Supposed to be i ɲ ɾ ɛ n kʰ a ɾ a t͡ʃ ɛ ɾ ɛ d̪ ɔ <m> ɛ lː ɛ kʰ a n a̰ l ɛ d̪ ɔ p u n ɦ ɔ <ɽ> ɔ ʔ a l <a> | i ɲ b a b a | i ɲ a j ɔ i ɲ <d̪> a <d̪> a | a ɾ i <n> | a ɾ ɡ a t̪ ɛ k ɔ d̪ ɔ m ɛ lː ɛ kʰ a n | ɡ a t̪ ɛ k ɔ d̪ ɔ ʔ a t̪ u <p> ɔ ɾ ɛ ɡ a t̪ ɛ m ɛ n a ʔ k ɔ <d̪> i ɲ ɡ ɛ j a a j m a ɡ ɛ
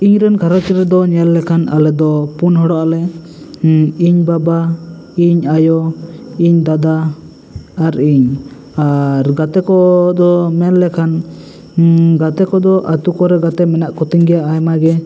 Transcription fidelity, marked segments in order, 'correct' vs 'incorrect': incorrect: ɲ, correct, incorrect: ɛ, correct, correct, incorrect: ɲ, incorrect: k, incorrect: t̪

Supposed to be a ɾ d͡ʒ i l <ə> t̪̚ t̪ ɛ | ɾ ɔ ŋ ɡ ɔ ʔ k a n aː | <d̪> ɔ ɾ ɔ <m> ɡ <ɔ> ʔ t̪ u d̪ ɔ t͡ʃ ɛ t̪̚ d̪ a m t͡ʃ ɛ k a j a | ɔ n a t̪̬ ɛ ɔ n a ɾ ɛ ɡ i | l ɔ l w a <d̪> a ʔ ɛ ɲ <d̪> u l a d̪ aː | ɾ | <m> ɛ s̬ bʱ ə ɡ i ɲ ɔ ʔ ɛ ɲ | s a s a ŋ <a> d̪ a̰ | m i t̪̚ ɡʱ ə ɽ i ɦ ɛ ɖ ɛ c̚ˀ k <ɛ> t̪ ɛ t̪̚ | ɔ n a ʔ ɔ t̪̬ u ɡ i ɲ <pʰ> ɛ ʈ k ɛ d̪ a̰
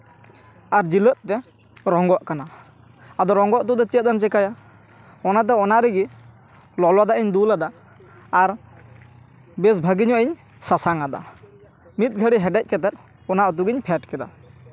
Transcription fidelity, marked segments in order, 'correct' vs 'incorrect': correct, correct, incorrect: ŋ, correct, correct, correct, incorrect: b, correct, correct, correct

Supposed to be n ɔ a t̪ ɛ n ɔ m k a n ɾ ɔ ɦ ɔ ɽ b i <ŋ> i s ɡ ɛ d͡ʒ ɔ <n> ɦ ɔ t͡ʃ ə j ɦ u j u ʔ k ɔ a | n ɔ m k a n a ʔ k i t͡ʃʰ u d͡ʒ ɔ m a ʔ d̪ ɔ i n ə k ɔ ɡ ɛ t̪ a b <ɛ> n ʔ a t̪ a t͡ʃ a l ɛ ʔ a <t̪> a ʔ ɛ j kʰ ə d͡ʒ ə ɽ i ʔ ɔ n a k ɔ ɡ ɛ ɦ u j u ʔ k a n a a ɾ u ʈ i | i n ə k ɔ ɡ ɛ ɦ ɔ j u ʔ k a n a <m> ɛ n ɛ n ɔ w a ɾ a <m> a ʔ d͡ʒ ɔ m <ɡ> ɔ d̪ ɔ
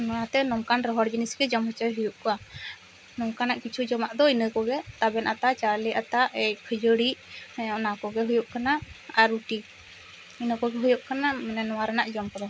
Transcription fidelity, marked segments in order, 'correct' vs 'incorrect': incorrect: n, incorrect: m, correct, correct, correct, incorrect: n, incorrect: k

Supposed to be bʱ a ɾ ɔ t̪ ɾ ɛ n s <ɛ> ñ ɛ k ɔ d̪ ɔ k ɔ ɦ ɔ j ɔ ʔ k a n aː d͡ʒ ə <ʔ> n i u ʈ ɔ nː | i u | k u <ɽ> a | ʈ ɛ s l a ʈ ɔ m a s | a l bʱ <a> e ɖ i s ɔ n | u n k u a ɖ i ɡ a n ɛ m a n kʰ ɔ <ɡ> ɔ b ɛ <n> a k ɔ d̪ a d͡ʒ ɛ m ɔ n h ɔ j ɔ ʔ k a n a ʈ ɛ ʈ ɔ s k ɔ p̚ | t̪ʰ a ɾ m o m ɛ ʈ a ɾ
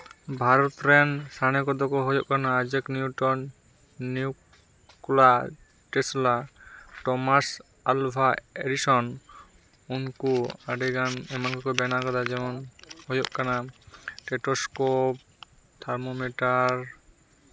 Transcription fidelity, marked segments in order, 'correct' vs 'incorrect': incorrect: a, incorrect: k, incorrect: l, correct, incorrect: k, correct

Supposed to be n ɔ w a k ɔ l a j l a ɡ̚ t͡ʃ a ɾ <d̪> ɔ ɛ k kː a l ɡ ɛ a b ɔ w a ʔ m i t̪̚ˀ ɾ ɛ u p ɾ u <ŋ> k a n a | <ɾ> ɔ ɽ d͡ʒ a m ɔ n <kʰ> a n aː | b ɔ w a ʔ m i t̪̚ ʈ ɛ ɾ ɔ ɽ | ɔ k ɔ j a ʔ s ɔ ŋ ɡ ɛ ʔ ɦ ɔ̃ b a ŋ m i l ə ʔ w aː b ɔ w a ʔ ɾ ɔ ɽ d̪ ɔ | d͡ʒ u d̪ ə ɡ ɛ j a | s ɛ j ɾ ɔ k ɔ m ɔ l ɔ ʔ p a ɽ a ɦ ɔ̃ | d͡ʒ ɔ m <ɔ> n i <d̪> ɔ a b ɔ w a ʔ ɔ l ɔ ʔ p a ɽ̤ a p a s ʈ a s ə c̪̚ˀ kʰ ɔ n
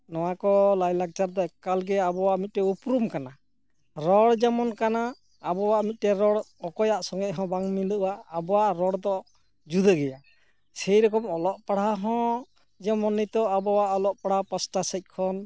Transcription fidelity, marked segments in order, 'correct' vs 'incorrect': correct, incorrect: m, correct, incorrect: k, correct, incorrect: t̪

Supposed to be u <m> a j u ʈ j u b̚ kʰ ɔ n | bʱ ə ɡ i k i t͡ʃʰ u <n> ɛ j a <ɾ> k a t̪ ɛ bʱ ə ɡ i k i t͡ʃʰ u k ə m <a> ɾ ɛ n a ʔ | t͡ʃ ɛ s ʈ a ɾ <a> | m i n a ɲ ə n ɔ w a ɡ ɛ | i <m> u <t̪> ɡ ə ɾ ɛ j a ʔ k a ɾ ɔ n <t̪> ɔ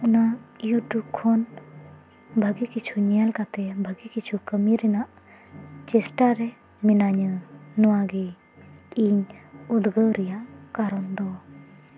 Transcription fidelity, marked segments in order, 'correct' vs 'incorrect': incorrect: n, incorrect: ɲ, incorrect: l, incorrect: i, incorrect: ɛ, incorrect: ɲ, incorrect: d̪, incorrect: d̪

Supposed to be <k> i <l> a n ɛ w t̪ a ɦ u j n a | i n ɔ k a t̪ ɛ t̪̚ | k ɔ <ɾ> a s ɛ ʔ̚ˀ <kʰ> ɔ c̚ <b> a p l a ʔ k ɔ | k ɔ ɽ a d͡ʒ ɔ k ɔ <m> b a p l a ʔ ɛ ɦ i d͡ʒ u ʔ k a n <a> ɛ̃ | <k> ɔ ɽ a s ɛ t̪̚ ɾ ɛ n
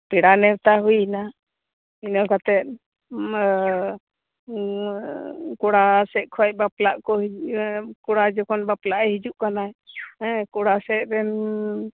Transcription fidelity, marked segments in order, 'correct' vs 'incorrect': incorrect: p, incorrect: ɽ, incorrect: ɽ, correct, correct, incorrect: n, correct, correct

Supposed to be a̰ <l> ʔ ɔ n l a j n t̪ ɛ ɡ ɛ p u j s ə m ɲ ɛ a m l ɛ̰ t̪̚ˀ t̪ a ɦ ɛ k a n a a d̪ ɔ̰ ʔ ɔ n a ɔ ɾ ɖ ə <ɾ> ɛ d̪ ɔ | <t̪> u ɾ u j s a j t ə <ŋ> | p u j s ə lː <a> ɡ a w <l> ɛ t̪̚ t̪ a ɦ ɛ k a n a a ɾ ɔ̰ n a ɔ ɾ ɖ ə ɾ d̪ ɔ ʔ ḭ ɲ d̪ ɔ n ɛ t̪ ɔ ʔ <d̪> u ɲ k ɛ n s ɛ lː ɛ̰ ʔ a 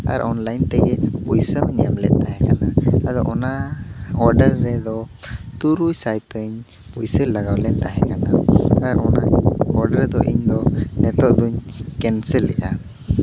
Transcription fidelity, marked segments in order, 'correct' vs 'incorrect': incorrect: ɾ, incorrect: ɾː, correct, incorrect: ɲ, correct, correct, correct

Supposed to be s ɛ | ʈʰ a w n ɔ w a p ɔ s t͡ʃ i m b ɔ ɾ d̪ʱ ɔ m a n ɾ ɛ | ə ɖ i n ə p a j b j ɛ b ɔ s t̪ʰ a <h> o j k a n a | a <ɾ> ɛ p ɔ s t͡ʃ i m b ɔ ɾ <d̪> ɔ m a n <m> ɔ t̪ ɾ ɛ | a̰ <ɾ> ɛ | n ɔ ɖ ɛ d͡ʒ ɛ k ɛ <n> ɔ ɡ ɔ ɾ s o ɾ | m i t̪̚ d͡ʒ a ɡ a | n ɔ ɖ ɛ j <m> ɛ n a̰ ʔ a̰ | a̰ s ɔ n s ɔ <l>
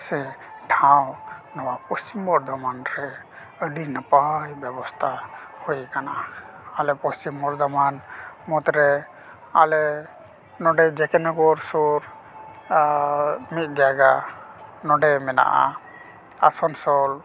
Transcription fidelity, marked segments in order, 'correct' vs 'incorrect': correct, incorrect: l, correct, correct, incorrect: l, correct, correct, correct

